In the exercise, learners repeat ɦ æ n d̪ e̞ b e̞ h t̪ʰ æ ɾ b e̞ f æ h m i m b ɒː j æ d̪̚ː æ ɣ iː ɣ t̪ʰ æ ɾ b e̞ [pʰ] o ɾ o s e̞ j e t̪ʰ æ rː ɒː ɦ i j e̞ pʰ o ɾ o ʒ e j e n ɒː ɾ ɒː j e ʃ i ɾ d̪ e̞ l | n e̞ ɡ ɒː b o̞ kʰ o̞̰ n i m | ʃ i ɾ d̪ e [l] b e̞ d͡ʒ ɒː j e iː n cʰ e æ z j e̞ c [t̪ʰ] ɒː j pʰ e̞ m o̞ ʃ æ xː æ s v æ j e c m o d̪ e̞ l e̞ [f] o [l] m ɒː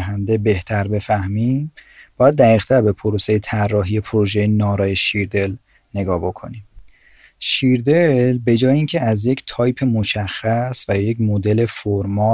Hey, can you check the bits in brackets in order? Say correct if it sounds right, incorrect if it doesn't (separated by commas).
correct, correct, correct, correct, incorrect